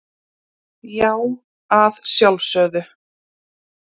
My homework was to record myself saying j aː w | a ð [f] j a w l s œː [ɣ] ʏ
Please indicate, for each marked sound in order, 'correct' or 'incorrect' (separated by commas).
incorrect, incorrect